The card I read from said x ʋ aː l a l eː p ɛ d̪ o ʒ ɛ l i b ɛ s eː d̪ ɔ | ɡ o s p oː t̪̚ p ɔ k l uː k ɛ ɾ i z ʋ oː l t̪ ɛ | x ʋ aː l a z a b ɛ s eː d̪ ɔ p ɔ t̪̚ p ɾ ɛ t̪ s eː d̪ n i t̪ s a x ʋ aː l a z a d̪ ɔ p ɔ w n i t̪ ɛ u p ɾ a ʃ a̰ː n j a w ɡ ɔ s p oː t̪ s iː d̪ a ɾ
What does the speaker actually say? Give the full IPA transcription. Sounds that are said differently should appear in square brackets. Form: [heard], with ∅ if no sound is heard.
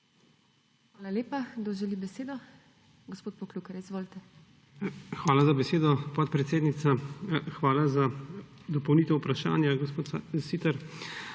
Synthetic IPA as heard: x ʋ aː l a l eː p [a] d̪ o ʒ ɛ l i b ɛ s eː d̪ ɔ | ɡ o s p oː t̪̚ p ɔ k l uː k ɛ ɾ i z ʋ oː l t̪ ɛ | x ʋ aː l a z a b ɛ s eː d̪ ɔ p ɔ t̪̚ p ɾ ɛ t̪ s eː d̪ n i t̪ s a x ʋ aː l a z a d̪ ɔ p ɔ w n i t̪ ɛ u p ɾ a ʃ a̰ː n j a [∅] ɡ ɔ s p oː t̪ s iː [t̪] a ɾ

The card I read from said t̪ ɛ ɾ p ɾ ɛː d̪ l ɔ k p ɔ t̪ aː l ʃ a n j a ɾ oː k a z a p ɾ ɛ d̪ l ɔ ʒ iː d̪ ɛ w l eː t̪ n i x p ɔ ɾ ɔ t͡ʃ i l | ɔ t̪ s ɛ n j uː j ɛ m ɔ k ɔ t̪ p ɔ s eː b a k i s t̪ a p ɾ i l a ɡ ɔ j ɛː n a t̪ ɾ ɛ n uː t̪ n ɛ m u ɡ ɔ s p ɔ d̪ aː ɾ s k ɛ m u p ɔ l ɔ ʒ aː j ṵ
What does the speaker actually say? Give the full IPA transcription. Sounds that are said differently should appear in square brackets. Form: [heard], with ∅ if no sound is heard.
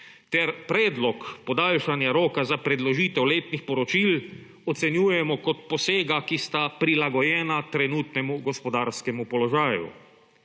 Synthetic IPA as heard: t̪ ɛ ɾ p ɾ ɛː d̪ l ɔ k p ɔ [d̪] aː l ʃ a n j a ɾ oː k a z a p ɾ ɛ d̪ l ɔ ʒ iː [t̪] ɛ w l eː t̪ n i x p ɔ ɾ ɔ t͡ʃ i l | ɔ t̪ s ɛ n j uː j ɛ m ɔ k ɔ t̪ p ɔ s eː [ɡ] a k i s t̪ a p ɾ i l a ɡ ɔ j ɛː n a t̪ ɾ ɛ n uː t̪ n ɛ m u ɡ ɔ s p ɔ d̪ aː ɾ s k ɛ m u p ɔ l ɔ ʒ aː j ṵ

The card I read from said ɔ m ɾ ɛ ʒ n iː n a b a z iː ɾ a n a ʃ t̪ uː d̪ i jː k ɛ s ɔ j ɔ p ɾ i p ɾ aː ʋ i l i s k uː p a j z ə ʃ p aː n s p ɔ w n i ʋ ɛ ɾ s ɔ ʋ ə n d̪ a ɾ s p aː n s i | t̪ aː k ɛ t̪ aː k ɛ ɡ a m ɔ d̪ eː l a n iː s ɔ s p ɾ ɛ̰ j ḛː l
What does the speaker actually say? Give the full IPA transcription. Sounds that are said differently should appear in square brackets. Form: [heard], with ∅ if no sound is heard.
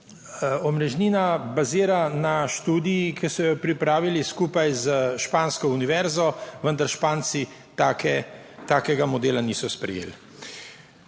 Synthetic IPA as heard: ɔ m ɾ ɛ ʒ n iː n a b a z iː ɾ a n a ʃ t̪ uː d̪ i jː k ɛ s ɔ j ɔ p ɾ i p ɾ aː ʋ i l i s k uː p a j z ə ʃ p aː n s [k] ɔ [u] n i ʋ ɛ ɾ [z] ɔ ʋ ə n d̪ a ɾ [ʃ] p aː n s i | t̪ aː k ɛ t̪ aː k ɛ ɡ a m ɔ d̪ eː l a n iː s ɔ s p ɾ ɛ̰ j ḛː l

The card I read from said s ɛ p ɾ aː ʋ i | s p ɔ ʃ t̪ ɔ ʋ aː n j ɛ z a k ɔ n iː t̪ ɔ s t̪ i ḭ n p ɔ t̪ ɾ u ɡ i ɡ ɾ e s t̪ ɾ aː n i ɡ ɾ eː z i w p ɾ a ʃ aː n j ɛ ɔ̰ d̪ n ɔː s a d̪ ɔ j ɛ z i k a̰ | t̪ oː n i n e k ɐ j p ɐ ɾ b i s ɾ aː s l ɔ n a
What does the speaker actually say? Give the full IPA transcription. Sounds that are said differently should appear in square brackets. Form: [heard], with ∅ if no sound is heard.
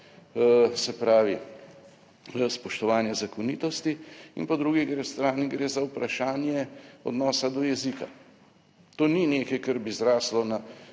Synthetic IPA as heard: s ɛ p ɾ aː ʋ i | s p ɔ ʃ t̪ ɔ ʋ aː n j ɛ z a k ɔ n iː t̪ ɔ s t̪ i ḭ n p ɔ [d̪] ɾ u ɡ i ɡ ɾ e s t̪ ɾ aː n i ɡ ɾ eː z [a] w p ɾ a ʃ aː n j ɛ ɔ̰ d̪ n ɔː s a d̪ ɔ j ɛ z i k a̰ | t̪ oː n i n e k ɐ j [k] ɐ ɾ b i [z] ɾ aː s l ɔ n a

